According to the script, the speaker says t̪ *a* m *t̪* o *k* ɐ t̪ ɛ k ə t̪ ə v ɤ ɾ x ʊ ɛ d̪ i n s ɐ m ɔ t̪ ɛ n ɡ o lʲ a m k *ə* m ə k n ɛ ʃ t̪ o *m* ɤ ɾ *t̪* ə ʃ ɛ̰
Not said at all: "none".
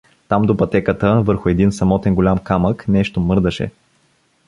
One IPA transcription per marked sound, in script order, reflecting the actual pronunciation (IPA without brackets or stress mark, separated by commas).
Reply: a, d̪, p, a, m, d̪